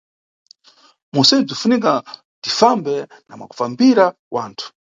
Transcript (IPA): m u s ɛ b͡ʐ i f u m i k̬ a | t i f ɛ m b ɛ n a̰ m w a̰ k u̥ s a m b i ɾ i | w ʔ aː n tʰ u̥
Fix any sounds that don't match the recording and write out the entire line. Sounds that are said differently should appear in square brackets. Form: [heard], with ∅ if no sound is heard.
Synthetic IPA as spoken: m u s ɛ b͡ʐ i f u [n] i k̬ a | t i f [a] m b ɛ n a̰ m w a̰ k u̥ [f] a m b i ɾ [a] | w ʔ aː n tʰ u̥